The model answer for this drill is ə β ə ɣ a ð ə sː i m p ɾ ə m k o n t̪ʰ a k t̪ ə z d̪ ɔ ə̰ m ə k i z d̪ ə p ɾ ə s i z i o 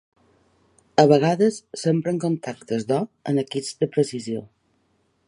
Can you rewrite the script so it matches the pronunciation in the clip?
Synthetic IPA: ə β ə ɣ a ð ə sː e m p ɾ ə ŋ k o n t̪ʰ a k t̪ ə z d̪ ɔ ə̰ n ə k i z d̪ ə p ɾ ə s i z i o